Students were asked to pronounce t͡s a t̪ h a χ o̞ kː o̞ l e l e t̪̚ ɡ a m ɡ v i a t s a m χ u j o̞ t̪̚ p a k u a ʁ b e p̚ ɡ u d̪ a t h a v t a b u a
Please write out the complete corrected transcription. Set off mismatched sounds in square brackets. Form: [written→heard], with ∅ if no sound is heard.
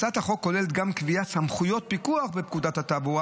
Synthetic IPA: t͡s a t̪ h a χ o̞ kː o̞ l e l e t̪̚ ɡ a m [ɡ→k] v i a t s a m χ u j o̞ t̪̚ p [a→i] k u a [ʁ→χ] b e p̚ [ɡ→k] u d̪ a t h a [v→∅] t a b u a

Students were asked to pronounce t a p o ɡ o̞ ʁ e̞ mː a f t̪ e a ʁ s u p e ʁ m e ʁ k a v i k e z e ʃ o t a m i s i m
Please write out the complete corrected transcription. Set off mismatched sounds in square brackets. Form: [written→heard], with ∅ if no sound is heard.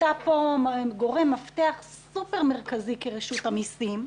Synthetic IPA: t a p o ɡ o̞ ʁ e̞ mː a f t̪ e a [ʁ→χ] s u p e ʁ m e ʁ k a [v→z] i k e [z→ʁ] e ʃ [o→u] t a m i s i m

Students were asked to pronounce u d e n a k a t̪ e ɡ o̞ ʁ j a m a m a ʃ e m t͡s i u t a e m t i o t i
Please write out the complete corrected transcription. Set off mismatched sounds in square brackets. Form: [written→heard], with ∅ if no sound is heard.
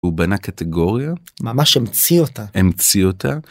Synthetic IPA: u [d→b] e n a k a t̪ e ɡ o̞ ʁ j a m a m a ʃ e m t͡s i [u→o] t a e m [t→t͡s] i o t [i→a]

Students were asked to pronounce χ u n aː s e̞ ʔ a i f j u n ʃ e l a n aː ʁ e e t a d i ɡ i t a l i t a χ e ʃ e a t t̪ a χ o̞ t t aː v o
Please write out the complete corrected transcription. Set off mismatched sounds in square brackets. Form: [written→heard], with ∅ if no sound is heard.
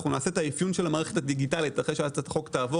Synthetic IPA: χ u n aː s e̞ [ʔ→t] a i f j u n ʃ e l a [n→m] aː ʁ e e t a d i ɡ i t a l i t a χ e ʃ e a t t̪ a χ o̞ [t→k] t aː v o

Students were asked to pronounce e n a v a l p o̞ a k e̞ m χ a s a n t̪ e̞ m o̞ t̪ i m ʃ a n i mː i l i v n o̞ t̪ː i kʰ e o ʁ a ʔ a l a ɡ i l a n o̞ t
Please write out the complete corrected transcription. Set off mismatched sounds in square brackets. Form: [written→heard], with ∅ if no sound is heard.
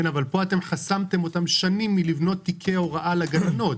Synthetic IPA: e n a v a l p o̞ a [k→t] e̞ m χ a s a [n→m] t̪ e̞ m o̞ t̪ [i→a] m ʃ a n i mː i l i v n o̞ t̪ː i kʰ e o ʁ a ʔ a l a ɡ [i→a] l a n o̞ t

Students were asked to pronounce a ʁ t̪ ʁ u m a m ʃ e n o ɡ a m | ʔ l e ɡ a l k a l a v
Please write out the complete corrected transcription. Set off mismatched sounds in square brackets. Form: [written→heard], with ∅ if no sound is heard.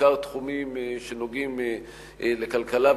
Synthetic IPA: a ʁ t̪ [ʁ→χ] u m [a→i] m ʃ e n o ɡ [a→i] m | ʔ l e [ɡ→k] a l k a l a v

